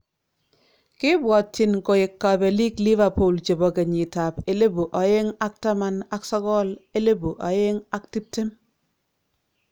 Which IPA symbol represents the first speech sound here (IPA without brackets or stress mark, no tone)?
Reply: k